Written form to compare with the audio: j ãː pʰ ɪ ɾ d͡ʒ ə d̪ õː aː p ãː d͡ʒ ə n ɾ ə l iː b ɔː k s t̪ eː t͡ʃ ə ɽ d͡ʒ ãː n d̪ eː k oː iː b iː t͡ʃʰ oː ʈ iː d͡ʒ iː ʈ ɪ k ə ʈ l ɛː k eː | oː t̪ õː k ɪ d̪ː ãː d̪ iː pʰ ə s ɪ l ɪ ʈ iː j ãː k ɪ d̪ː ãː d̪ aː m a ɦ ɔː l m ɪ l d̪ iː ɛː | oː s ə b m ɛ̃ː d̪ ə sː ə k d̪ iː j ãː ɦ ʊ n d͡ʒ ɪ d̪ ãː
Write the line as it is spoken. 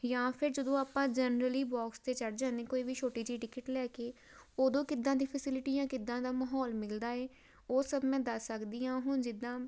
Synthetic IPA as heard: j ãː pʰ ɪ ɾ d͡ʒ ə d̪ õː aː p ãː d͡ʒ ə n ɾ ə l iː b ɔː k s t̪ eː t͡ʃ ə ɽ d͡ʒ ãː n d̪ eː k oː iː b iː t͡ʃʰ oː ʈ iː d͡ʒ iː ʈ ɪ k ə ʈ l ɛː k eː | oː d̪ õː k ɪ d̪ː ãː d̪ iː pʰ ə s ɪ l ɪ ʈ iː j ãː k ɪ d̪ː ãː d̪ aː m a ɦ ɔː l m ɪ l d̪ aː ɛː | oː s ə b m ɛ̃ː d̪ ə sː ə k d̪ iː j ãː ɦ ʊ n d͡ʒ ɪ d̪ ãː

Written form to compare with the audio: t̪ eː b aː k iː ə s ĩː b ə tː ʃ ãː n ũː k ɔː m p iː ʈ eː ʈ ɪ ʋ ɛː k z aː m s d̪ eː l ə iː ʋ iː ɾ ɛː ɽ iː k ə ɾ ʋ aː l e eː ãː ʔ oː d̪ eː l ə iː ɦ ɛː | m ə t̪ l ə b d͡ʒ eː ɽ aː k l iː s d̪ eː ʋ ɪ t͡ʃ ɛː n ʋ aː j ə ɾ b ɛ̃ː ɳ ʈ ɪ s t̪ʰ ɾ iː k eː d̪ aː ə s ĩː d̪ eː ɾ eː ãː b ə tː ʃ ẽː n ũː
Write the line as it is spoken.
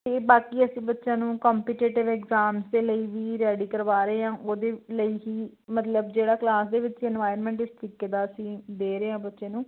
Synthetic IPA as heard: t̪ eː b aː k iː ə s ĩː b ə tː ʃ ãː n ũː k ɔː m p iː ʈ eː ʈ ɪ ʋ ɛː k z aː m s d̪ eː l ə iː ʋ iː ɾ ɛː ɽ iː k ə ɾ ʋ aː ɾ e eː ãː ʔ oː d̪ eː l ə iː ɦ iː | m ə t̪ l ə b d͡ʒ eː ɽ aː k l aː s d̪ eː ʋ ɪ t͡ʃ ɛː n ʋ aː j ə ɾ m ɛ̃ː ɳ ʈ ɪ s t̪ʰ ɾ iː k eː d̪ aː ə s ĩː d̪ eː ɾ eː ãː b ə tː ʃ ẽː n ũː

